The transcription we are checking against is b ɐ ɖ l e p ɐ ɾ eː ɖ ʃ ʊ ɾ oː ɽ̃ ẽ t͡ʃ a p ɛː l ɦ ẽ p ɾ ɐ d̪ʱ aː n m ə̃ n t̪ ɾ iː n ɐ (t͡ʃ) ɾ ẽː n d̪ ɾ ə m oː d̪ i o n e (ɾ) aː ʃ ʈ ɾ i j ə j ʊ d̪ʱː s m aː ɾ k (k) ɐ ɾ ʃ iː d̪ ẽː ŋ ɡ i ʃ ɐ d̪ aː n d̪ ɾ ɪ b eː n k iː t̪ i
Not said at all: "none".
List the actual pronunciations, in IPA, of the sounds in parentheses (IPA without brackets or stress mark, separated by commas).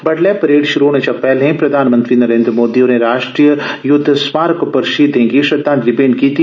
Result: none, ɾ, p